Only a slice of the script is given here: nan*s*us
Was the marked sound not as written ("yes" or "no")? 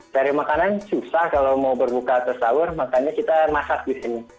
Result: no